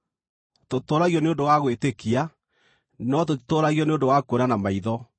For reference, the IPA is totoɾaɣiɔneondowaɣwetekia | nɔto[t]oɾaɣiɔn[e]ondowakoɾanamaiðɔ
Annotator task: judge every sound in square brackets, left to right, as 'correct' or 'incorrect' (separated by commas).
correct, correct